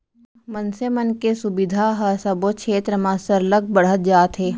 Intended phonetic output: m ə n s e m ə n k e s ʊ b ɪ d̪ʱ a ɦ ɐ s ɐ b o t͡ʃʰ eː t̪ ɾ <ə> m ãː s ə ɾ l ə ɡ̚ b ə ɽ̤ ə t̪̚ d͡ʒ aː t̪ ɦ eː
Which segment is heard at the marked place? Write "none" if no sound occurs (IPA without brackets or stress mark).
ə